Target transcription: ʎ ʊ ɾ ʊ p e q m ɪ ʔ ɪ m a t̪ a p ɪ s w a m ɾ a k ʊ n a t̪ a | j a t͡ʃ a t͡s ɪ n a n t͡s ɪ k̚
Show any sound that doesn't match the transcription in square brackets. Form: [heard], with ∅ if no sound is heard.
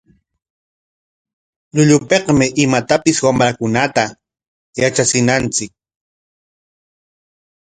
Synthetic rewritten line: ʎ ʊ [ʎ] ʊ p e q m ɪ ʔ ɪ m a t̪ a p ɪ s w a m ɾ a k ʊ n a t̪ a | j a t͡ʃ a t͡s ɪ n a n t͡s ɪ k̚